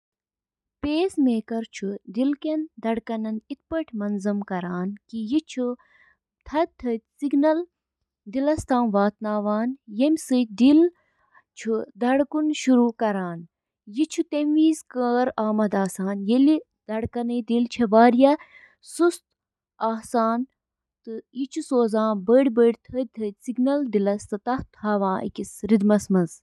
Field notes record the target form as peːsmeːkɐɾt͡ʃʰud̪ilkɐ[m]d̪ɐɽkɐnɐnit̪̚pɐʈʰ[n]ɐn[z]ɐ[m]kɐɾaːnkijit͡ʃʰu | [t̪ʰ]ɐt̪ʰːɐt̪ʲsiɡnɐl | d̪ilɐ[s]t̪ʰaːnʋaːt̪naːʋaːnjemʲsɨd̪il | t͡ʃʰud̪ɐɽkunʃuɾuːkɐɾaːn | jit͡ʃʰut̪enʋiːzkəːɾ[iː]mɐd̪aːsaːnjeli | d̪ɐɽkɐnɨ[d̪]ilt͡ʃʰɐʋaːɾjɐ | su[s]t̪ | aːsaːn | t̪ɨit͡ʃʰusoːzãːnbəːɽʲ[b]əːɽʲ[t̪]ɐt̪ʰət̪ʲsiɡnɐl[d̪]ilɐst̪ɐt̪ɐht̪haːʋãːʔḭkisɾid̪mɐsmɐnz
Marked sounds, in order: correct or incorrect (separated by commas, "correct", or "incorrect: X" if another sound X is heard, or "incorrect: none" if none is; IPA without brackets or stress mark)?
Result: incorrect: n, incorrect: m, correct, correct, correct, correct, incorrect: aː, correct, correct, correct, incorrect: t̪ʰ, correct